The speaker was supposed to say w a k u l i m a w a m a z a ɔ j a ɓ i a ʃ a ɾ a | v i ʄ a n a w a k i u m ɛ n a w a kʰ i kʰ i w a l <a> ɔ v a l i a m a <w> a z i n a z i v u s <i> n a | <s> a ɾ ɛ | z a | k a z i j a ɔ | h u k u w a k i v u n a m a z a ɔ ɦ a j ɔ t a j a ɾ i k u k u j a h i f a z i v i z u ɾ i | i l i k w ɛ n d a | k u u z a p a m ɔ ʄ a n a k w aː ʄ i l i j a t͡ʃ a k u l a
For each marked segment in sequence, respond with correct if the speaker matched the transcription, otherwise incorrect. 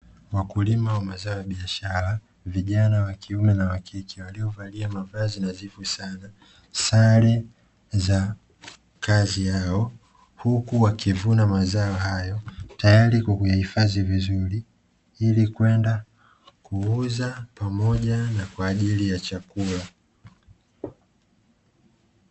incorrect: i, incorrect: v, incorrect: a, correct

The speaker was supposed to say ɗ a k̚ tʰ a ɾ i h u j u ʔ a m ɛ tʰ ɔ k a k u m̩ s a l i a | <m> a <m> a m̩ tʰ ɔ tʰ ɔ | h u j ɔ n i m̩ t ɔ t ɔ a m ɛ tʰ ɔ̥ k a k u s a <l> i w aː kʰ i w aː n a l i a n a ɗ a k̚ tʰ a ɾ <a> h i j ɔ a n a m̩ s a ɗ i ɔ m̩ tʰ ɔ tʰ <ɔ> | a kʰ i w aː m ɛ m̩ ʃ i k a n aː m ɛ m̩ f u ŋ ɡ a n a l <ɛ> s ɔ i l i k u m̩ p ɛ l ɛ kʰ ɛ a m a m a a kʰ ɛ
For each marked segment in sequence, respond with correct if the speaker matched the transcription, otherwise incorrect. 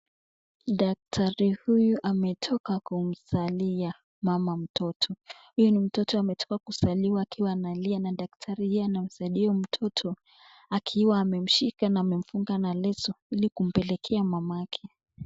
correct, correct, correct, incorrect: i, correct, correct

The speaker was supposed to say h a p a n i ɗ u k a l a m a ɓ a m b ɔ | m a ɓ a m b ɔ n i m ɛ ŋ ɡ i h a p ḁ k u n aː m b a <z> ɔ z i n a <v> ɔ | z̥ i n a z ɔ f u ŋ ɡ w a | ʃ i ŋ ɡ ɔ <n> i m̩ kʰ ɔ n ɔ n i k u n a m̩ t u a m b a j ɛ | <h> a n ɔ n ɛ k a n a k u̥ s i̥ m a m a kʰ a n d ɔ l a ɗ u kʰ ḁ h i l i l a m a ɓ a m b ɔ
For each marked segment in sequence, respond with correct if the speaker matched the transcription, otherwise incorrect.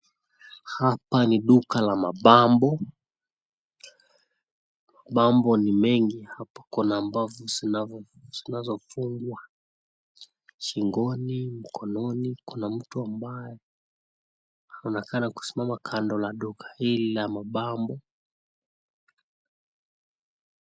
incorrect: v, correct, correct, correct

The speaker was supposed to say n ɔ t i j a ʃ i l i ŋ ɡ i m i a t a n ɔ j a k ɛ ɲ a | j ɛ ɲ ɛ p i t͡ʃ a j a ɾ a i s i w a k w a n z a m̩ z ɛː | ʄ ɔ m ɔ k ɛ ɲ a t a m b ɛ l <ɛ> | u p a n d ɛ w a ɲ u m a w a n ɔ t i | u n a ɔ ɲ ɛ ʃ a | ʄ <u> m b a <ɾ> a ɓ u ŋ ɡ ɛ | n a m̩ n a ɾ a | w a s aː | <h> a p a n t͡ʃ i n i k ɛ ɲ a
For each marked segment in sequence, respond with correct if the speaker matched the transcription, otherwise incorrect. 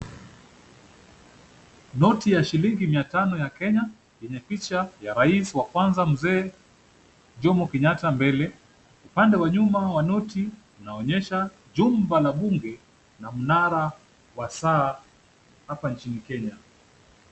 correct, correct, incorrect: l, correct

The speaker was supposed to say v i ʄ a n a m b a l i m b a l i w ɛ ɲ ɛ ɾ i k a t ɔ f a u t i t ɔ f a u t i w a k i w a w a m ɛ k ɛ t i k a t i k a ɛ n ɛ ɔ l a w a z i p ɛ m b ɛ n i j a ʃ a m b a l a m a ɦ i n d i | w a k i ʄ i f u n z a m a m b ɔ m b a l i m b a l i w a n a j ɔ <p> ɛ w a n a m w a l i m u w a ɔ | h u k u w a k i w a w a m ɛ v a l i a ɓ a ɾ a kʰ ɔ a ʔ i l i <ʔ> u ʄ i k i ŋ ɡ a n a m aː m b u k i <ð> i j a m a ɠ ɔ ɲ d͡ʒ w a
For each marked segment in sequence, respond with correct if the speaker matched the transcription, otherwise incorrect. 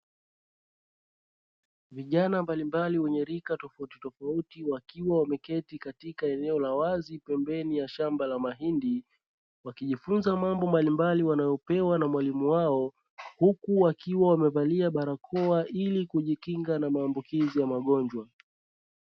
correct, incorrect: k, incorrect: z

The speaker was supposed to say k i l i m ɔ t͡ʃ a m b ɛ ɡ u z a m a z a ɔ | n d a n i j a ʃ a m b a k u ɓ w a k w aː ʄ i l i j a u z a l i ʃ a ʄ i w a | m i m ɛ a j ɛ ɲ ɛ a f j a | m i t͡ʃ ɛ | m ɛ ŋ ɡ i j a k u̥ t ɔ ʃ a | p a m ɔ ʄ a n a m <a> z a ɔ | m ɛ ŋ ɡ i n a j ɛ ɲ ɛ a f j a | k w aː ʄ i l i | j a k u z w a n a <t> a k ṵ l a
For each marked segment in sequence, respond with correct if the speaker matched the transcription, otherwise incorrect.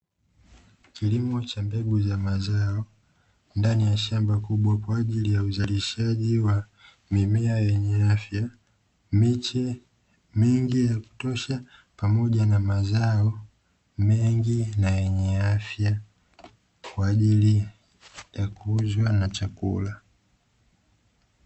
correct, incorrect: t͡ʃ

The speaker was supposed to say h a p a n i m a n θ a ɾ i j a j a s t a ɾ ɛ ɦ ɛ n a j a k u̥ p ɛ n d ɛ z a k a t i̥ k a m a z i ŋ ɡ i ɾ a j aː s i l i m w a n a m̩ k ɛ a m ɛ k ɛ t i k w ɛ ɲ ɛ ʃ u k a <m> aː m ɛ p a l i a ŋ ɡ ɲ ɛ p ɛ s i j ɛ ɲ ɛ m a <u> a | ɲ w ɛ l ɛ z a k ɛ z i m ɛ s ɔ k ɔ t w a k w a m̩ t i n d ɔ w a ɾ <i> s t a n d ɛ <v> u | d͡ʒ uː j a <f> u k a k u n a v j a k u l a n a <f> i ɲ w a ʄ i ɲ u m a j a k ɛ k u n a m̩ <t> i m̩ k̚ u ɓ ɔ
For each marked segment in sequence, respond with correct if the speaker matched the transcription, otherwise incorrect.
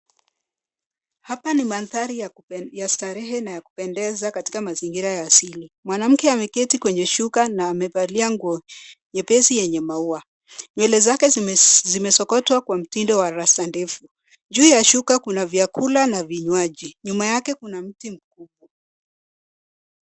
incorrect: n, correct, incorrect: a, incorrect: f, incorrect: ʃ, incorrect: v, correct

